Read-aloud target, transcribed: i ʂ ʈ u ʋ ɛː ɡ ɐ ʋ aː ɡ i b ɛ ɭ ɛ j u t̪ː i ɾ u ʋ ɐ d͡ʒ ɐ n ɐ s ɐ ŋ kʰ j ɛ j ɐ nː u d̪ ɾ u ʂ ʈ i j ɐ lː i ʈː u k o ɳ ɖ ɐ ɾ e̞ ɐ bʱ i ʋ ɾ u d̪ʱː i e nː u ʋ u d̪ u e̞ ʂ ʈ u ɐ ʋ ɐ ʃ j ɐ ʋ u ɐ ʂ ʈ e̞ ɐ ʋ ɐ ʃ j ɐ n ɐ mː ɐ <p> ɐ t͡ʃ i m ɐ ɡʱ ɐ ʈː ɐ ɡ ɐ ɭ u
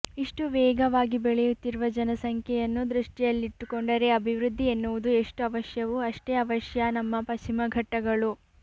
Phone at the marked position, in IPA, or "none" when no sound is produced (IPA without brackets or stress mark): p